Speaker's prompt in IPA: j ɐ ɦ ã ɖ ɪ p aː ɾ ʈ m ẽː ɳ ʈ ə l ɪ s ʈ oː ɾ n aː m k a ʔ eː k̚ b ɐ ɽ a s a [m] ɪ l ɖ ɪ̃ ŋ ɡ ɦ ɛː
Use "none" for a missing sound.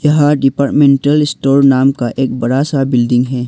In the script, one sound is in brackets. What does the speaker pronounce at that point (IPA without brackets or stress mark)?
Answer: b